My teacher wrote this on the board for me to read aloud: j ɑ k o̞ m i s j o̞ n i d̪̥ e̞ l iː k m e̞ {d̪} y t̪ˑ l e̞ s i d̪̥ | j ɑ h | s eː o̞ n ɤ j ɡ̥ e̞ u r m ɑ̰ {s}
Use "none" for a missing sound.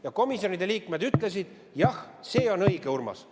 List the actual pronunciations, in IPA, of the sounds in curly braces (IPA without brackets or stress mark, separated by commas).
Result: d̪, s